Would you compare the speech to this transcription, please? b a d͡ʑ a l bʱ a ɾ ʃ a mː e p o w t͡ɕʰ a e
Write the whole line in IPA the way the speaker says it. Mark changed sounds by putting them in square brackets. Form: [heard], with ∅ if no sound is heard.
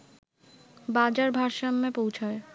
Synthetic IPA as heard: b a d͡ʑ a [ɾ] bʱ a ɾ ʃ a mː e p o w t͡ɕʰ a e